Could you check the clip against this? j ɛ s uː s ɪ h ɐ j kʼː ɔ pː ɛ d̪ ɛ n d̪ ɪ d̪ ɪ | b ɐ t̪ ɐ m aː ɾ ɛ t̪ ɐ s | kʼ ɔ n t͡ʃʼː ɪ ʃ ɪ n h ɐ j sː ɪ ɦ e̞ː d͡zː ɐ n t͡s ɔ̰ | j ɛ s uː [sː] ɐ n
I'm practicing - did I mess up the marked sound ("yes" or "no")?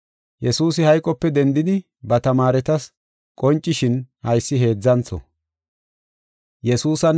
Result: yes